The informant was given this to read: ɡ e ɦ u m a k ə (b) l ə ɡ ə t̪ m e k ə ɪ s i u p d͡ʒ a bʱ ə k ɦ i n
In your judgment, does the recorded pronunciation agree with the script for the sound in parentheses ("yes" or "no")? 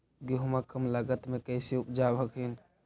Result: no